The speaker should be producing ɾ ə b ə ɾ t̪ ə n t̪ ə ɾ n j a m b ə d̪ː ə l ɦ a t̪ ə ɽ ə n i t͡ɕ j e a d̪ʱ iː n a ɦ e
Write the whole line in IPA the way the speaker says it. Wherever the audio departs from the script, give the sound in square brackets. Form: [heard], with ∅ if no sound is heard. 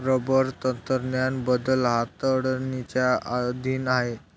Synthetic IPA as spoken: ɾ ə b ə ɾ t̪ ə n t̪ ə ɾ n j a [n] b ə [d̪] ə l ɦ a t̪ ə ɽ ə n i t͡ɕ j [a] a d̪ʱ iː n a ɦ e